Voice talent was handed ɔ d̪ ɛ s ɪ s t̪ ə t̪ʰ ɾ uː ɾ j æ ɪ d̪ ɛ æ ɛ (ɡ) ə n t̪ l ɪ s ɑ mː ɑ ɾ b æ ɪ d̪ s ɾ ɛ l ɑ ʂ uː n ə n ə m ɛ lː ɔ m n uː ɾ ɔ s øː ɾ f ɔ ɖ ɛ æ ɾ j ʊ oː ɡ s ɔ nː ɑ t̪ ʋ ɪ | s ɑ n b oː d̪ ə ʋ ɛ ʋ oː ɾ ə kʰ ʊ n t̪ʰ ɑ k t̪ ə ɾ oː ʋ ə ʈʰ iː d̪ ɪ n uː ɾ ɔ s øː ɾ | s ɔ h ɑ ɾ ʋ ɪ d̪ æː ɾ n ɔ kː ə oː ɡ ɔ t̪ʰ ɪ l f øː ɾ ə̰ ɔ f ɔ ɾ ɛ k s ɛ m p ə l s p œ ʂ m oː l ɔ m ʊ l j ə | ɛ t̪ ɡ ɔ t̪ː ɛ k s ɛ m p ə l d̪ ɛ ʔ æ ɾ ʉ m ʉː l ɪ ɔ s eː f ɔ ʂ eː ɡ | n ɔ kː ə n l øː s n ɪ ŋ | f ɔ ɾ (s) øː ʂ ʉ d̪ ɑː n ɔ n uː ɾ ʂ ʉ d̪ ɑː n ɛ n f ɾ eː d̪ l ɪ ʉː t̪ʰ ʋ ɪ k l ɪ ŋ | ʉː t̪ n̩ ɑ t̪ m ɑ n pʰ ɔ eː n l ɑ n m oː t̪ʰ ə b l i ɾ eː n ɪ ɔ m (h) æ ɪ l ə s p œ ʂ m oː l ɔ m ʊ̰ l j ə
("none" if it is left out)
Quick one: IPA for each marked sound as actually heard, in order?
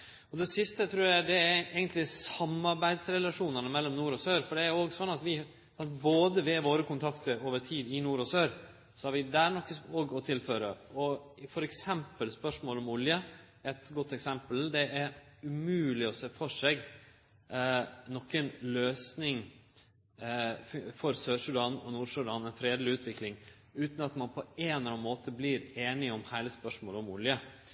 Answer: ɡ, s, h

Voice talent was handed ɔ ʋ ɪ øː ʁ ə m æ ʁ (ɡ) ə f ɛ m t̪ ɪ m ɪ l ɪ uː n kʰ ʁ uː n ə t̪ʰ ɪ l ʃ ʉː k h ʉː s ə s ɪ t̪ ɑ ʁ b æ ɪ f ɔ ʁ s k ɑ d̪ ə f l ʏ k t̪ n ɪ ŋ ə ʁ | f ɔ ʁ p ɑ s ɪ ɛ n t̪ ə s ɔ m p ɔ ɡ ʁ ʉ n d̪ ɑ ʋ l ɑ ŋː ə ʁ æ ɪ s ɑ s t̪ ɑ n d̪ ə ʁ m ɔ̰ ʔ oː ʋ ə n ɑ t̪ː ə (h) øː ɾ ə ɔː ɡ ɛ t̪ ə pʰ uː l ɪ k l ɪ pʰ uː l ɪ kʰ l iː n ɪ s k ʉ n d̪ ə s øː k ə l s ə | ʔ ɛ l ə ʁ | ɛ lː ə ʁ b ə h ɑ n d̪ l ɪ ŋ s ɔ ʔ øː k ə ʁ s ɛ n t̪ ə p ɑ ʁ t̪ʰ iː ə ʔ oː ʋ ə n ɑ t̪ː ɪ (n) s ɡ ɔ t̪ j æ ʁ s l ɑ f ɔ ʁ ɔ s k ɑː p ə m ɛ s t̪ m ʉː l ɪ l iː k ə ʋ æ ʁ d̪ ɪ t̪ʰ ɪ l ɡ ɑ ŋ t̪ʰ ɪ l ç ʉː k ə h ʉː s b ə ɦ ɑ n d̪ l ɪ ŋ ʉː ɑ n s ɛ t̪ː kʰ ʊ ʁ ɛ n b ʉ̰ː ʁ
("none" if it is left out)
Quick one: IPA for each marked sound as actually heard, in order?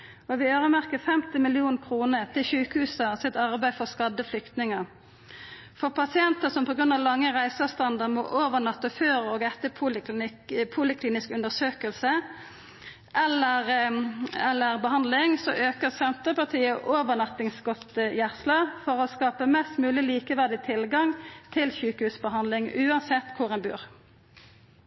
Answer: k, f, ŋ

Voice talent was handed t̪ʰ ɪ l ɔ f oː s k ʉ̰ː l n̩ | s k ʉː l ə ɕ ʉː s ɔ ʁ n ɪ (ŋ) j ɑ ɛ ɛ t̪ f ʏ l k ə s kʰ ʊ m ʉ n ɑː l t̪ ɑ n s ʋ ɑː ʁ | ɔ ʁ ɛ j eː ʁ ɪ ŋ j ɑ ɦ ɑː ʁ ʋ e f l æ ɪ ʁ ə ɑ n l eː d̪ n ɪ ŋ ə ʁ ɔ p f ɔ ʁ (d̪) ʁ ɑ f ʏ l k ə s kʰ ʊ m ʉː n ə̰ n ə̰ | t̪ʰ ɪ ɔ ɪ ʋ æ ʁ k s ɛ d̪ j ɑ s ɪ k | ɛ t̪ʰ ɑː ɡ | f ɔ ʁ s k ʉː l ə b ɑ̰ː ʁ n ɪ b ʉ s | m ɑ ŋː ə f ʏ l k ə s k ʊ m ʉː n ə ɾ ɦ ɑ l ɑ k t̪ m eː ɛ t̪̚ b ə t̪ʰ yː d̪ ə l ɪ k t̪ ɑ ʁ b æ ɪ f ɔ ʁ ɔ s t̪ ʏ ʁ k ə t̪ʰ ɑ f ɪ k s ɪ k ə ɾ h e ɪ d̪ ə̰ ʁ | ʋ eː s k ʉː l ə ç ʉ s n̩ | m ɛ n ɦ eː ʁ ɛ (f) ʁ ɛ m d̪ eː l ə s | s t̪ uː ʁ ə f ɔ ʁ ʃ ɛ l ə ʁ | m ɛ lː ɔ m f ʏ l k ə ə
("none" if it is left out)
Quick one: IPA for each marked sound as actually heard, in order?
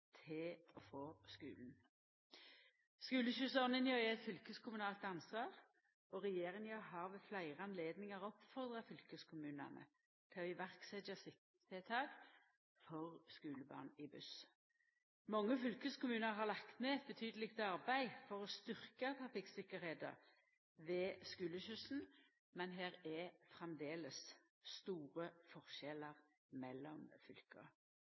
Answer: n, d̪, f

